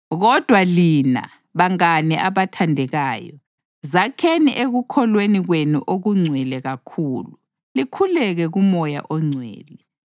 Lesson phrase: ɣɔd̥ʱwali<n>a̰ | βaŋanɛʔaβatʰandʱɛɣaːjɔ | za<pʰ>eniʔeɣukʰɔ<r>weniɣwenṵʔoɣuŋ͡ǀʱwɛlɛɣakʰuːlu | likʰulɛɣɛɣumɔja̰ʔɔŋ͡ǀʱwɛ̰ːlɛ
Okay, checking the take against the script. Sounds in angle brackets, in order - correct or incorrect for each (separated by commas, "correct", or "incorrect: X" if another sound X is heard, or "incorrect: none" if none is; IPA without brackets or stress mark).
correct, incorrect: kʰ, incorrect: l